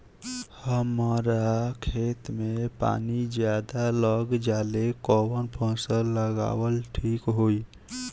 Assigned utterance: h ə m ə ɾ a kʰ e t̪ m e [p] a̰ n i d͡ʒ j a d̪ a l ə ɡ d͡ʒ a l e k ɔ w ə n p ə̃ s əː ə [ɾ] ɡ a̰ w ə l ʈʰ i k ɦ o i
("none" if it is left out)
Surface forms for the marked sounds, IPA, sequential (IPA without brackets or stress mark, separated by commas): p, none